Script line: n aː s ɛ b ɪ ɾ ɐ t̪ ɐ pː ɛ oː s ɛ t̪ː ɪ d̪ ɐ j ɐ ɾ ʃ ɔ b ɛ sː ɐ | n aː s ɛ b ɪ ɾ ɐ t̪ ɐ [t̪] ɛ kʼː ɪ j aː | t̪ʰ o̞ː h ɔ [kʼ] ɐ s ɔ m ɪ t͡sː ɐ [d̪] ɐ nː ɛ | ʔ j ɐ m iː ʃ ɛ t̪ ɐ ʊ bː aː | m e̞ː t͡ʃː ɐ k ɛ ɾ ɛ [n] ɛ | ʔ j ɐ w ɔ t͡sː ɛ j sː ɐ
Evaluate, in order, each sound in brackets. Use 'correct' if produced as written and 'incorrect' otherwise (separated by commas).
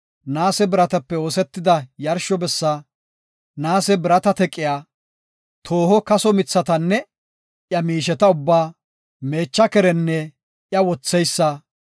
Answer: correct, incorrect, incorrect, incorrect